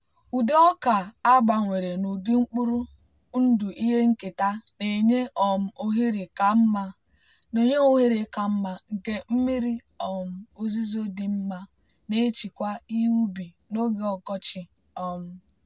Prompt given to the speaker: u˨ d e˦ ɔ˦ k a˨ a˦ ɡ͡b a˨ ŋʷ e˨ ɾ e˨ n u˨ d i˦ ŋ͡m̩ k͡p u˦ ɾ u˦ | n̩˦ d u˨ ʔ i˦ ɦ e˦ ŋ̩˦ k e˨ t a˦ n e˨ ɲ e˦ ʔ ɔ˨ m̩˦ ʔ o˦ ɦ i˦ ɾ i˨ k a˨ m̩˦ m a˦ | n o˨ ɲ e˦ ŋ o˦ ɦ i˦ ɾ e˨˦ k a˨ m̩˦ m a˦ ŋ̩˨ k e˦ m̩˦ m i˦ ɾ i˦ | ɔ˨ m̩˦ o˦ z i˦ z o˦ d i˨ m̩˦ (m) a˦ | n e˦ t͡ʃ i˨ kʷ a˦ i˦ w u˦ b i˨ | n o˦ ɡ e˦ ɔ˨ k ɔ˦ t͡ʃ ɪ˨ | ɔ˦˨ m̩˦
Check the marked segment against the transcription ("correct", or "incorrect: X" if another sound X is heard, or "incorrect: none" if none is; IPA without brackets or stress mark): correct